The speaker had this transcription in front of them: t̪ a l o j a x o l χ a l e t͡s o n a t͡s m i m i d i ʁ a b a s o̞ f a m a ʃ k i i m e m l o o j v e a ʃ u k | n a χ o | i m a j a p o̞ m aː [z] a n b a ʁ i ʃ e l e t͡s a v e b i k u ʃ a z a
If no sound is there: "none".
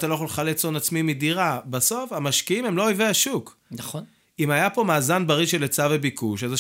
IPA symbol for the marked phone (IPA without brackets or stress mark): z